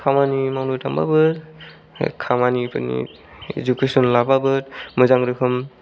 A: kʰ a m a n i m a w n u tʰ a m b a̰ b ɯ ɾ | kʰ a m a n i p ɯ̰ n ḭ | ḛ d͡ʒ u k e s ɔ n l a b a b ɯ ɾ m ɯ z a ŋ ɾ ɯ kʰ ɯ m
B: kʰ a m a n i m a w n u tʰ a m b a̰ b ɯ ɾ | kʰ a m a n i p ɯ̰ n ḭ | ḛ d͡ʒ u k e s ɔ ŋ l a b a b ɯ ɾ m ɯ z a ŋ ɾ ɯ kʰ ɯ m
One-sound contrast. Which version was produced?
A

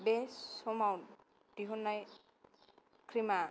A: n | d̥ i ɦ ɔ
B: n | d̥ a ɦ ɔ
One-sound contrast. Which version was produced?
A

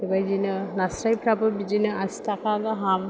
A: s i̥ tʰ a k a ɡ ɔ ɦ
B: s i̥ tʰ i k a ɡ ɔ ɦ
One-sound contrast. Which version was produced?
A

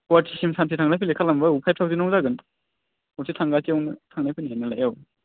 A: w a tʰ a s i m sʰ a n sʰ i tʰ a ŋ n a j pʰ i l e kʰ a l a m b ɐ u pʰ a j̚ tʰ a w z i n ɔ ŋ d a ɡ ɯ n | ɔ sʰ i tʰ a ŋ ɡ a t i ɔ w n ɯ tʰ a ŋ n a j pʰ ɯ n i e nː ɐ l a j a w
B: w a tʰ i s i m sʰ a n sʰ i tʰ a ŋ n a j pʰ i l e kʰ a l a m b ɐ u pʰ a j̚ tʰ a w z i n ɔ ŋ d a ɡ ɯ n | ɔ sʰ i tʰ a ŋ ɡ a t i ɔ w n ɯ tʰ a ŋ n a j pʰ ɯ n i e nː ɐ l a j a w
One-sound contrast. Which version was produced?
B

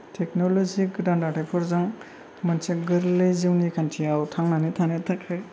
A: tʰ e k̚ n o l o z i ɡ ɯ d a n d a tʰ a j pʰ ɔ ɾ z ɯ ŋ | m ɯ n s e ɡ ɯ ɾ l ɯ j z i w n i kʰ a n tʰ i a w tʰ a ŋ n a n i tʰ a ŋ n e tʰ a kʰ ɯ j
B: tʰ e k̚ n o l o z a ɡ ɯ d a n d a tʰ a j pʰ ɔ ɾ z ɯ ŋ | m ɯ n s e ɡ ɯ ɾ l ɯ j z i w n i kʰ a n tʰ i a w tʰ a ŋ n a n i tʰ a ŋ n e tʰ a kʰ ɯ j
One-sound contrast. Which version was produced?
A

